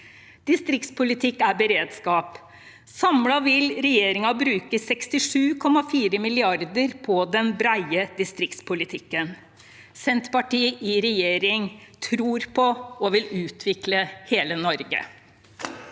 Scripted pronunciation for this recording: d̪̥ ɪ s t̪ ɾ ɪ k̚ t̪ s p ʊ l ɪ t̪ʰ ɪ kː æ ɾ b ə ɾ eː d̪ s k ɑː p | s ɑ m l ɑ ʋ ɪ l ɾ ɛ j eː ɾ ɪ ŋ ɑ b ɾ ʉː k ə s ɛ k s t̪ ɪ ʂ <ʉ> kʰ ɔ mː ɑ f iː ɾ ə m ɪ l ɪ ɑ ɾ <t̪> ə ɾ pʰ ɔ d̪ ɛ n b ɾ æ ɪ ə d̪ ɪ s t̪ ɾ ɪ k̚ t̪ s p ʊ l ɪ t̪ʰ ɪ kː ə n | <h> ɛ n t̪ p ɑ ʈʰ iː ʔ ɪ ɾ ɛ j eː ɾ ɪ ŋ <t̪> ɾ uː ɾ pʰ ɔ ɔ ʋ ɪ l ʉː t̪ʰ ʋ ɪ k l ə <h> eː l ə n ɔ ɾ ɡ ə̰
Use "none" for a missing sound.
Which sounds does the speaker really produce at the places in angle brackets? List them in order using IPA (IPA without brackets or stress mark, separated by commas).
ʉː, d̪, s, t̪ʰ, h